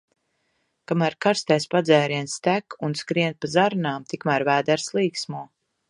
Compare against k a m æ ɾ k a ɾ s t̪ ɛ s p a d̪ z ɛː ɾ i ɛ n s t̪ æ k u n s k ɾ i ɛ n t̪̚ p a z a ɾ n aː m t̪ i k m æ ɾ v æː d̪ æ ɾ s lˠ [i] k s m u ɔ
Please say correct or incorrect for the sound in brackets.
incorrect